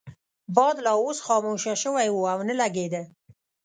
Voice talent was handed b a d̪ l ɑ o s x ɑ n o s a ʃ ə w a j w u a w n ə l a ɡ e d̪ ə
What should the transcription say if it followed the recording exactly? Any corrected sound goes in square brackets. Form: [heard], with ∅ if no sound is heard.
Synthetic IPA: b [ɑ] d̪ l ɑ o s x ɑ [m] o [ʃ] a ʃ ə w a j w u a w n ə l a ɡ e d̪ ə